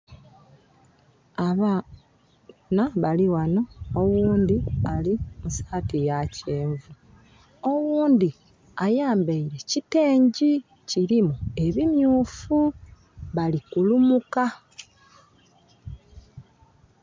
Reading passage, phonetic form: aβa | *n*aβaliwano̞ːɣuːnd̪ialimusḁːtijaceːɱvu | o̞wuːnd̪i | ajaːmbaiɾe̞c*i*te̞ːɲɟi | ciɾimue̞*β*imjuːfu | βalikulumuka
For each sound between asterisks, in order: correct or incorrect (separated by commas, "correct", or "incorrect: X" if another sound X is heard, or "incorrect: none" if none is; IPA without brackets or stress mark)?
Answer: correct, correct, correct